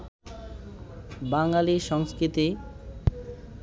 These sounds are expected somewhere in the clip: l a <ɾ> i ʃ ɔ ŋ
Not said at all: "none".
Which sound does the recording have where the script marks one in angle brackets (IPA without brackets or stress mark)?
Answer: l